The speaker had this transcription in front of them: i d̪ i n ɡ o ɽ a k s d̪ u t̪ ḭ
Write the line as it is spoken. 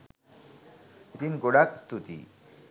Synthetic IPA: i t̪ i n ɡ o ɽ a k s t̪ u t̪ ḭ